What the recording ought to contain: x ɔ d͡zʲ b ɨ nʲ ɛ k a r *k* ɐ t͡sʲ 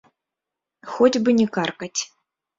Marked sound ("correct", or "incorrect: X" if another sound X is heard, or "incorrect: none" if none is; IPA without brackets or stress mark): correct